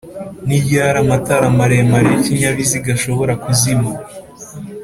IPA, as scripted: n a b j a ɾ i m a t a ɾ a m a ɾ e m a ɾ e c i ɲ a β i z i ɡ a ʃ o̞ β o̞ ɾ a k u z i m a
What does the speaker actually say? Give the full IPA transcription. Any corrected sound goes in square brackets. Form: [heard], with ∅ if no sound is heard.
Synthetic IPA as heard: n [i] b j a ɾ [a] m a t a ɾ a m a ɾ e m a ɾ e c i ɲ a β i z i ɡ a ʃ o̞ β o̞ ɾ a k u z i m a